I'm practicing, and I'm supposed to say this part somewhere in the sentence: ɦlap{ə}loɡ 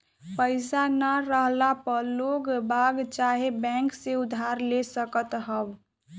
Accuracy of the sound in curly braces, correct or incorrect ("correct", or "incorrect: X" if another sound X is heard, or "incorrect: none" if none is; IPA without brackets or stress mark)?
correct